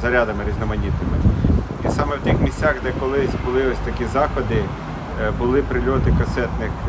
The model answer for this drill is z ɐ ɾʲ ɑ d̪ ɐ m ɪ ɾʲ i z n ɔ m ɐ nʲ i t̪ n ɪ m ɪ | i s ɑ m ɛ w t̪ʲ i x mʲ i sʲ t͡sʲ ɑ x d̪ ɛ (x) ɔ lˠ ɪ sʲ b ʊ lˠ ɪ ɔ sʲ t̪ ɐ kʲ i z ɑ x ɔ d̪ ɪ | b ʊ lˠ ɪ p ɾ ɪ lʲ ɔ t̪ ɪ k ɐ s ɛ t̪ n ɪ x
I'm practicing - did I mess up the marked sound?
yes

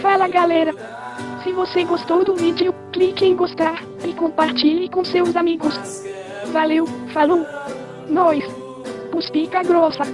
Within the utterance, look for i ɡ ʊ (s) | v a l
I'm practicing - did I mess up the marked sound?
no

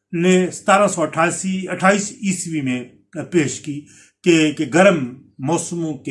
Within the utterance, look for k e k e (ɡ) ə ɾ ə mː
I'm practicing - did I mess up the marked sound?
no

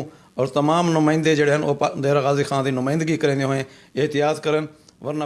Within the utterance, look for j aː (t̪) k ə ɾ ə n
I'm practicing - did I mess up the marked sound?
no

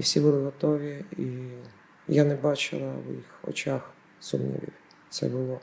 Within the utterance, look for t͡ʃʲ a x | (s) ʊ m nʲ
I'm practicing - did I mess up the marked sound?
no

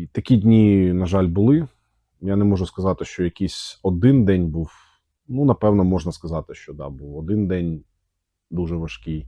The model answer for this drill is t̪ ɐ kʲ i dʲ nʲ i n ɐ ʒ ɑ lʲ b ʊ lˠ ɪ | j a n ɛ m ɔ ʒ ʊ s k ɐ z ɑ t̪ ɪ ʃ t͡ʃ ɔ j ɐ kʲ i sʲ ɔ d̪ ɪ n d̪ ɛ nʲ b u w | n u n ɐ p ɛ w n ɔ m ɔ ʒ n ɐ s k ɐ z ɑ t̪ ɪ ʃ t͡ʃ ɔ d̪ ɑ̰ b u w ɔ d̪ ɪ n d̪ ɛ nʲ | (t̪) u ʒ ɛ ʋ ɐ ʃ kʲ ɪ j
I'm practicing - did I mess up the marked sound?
yes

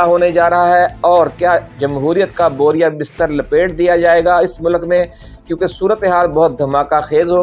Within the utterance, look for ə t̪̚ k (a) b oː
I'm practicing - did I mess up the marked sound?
no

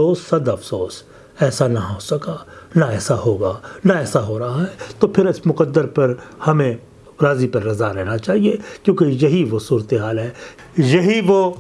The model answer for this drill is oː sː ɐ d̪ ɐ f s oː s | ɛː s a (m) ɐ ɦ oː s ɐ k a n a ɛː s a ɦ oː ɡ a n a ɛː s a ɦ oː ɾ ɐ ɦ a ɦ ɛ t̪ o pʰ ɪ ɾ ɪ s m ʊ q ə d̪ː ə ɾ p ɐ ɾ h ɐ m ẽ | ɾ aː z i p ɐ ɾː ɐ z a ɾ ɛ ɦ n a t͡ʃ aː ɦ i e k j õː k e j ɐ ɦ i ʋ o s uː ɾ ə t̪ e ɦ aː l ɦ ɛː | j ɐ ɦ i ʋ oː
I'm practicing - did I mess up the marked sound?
yes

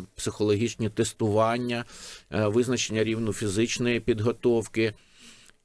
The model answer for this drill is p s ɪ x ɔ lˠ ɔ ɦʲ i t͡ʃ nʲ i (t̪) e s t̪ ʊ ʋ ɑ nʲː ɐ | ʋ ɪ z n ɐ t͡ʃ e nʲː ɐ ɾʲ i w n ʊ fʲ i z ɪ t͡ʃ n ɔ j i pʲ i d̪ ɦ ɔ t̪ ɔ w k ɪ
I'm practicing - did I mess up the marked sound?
no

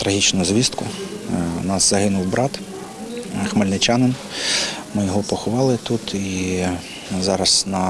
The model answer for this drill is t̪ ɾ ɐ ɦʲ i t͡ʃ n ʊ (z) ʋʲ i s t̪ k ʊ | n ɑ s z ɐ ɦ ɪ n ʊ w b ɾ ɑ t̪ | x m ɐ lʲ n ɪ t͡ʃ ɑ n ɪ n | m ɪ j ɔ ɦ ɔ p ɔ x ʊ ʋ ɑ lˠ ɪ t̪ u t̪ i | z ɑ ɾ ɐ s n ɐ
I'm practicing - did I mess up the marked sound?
no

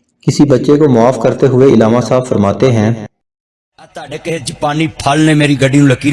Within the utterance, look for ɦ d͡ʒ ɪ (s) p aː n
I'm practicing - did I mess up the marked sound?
yes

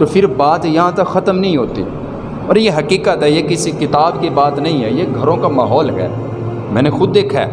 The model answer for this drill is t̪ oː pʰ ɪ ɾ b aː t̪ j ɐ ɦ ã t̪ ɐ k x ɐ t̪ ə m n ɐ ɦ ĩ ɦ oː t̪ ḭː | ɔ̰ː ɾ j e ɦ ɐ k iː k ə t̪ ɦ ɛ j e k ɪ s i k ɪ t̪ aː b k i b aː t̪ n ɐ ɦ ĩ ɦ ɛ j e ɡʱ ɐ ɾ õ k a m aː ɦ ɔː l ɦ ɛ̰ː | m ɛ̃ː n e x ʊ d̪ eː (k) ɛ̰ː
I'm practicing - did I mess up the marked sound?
yes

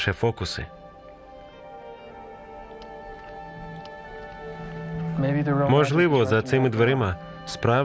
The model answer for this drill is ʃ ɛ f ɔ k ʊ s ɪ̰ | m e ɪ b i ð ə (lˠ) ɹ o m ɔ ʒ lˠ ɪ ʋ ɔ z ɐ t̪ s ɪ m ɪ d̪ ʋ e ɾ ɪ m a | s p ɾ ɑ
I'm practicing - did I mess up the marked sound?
yes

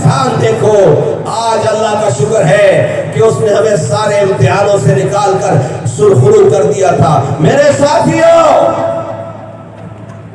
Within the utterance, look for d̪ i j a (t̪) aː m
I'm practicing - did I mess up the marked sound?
yes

